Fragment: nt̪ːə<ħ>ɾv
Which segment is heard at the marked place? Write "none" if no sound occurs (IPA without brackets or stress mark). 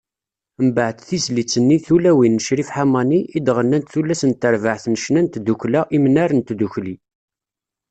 none